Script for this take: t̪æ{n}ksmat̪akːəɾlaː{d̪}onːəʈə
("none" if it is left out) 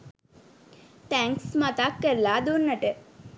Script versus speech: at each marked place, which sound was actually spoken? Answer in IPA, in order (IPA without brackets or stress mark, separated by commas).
ŋ, d̪